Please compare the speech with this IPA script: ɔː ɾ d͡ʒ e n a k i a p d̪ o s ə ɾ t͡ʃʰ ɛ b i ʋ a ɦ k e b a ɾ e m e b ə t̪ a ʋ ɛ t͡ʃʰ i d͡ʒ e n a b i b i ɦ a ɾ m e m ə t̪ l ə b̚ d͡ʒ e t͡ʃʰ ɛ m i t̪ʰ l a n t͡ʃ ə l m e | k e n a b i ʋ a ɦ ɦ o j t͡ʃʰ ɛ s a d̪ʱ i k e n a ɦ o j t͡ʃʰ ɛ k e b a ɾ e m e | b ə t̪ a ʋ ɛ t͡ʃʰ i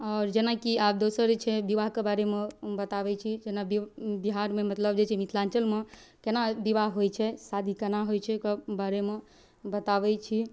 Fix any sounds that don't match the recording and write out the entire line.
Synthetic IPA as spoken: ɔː ɾ d͡ʒ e n a k i a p d̪ o s ə ɾ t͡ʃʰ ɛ b i ʋ a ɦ k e b a ɾ e m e b ə t̪ a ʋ ɛ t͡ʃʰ i d͡ʒ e n a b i b i ɦ a ɾ m e m ə t̪ l ə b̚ d͡ʒ e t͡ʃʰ ɛ m i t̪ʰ l a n t͡ʃ ə l m e | k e n a b i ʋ a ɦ ɦ o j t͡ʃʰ ɛ s a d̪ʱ i k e n a ɦ o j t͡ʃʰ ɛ k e b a ɾ e m e | b ə t̪ a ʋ ɛ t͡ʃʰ i